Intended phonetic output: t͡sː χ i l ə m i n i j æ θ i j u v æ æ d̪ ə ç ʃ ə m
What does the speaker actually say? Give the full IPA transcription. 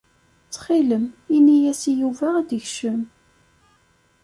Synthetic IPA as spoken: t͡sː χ i l ə m i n i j æ s i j u v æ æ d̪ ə ç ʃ ə m